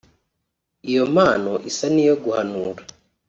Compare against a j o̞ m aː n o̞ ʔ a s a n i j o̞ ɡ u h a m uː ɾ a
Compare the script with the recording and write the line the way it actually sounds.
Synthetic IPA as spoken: i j o̞ m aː n o̞ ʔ i s a n i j o̞ ɡ u h a n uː ɾ a